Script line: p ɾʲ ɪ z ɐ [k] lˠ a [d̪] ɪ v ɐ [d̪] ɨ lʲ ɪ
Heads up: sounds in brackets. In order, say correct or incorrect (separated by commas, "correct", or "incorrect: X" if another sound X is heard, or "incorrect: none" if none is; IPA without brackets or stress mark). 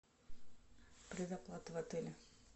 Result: incorrect: p, incorrect: t̪, incorrect: t̪